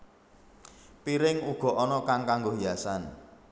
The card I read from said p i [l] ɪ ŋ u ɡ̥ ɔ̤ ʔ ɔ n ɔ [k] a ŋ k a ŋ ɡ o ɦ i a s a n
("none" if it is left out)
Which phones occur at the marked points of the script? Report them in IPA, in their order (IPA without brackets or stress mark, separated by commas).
ɾ, k